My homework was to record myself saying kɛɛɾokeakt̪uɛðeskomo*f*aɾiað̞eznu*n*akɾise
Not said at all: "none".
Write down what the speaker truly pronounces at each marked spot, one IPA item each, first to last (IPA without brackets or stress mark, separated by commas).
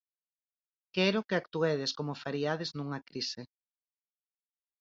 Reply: f, ŋ